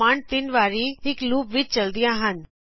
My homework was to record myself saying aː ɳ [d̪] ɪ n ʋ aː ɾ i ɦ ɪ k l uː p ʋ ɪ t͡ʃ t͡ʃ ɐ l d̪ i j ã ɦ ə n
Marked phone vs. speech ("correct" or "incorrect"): incorrect